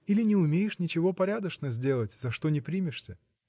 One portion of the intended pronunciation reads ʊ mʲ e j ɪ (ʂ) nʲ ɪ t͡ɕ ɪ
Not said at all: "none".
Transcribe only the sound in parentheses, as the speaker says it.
ʂ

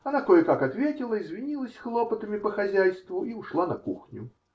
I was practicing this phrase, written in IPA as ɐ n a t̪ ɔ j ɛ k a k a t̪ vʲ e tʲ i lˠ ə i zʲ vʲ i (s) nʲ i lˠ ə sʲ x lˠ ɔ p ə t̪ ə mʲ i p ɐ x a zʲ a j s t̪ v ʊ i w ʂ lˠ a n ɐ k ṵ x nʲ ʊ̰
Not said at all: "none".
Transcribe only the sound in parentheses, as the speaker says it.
none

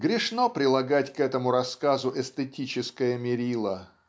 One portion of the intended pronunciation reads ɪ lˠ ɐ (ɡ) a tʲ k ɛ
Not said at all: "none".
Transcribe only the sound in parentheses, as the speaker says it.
ɡ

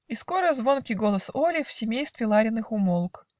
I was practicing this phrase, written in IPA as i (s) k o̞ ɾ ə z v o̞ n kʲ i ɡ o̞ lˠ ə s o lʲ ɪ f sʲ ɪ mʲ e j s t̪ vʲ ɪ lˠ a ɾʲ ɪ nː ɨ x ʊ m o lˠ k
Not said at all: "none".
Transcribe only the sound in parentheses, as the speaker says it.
s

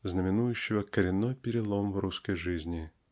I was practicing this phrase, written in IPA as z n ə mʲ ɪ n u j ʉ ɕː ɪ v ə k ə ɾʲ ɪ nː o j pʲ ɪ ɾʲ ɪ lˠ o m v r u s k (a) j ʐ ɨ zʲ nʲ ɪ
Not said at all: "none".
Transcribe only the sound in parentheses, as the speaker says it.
ə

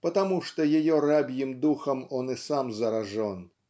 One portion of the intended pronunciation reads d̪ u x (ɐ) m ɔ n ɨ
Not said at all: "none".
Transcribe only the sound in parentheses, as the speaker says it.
ɐ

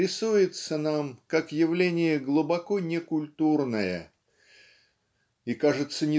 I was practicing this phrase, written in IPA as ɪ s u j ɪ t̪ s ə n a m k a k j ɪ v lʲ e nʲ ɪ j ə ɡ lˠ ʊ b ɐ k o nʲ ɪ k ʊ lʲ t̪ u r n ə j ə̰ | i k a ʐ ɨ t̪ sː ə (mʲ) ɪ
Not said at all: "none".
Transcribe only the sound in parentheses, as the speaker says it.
nʲ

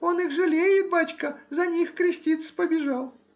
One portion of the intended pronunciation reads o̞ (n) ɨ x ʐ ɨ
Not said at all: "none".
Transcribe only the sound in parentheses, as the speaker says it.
n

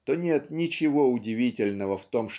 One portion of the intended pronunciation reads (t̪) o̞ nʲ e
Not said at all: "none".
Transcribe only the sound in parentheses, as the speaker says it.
t̪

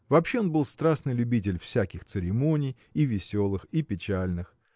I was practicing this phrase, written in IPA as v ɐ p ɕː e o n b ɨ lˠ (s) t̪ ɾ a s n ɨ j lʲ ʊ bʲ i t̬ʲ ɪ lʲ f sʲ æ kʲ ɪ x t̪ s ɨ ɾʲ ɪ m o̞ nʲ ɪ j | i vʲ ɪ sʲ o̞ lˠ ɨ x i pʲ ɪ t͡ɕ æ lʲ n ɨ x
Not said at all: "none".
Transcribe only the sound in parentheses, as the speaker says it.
s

